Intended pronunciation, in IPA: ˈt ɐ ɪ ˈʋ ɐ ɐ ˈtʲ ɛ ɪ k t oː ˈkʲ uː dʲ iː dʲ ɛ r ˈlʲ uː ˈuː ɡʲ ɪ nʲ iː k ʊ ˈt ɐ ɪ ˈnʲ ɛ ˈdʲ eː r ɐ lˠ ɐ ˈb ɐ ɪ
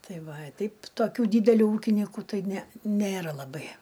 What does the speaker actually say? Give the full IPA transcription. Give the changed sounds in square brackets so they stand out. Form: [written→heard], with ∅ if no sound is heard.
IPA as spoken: ˈt ɐ ɪ ˈʋ ɐ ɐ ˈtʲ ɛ ɪ [k→p] t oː ˈkʲ uː dʲ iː dʲ ɛ [r→∅] ˈlʲ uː ˈuː [ɡʲ→kʲ] ɪ nʲ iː k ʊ ˈt ɐ ɪ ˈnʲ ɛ [ˈdʲ→ˈnʲ] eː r ɐ lˠ ɐ ˈb ɐ ɪ